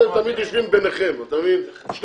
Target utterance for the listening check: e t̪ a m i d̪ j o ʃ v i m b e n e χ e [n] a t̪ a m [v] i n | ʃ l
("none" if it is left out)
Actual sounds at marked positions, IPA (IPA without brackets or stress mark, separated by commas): m, v